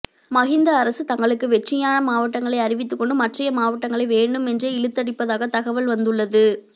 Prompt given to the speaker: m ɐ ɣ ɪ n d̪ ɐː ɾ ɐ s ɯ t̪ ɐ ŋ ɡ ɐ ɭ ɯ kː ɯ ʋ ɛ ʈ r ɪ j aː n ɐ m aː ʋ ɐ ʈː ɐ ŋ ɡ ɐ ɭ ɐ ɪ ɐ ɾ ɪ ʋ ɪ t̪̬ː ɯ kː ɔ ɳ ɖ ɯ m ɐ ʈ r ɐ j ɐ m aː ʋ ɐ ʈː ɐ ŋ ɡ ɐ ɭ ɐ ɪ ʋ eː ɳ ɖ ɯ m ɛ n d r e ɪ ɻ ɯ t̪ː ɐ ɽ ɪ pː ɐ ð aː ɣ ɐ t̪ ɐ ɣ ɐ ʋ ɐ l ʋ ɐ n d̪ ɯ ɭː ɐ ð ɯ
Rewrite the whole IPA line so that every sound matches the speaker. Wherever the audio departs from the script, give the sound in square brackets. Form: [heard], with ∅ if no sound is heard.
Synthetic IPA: m ɐ ɣ ɪ n d̪ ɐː ɾ ɐ s ɯ t̪ ɐ ŋ ɡ ɐ ɭ ɯ kː ɯ ʋ ɛ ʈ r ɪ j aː n ɐ m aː ʋ ɐ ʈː ɐ ŋ ɡ ɐ ɭ ɐ ɪ ɐ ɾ ɪ ʋ ɪ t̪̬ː ɯ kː ɔ ɳ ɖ ɯ m ɐ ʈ r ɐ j ɐ m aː ʋ ɐ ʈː ɐ ŋ ɡ ɐ ɭ ɐ ɪ ʋ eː ɳ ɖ ɯ m ɛ n d r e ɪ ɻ ɯ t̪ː ɐ ɽ ɪ pː ɐ ð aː ɣ ɐ t̪ ɐ ɣ ɐ ʋ ɐ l ʋ ɐ n d̪ ɯ ɭː ɐ ð ɯ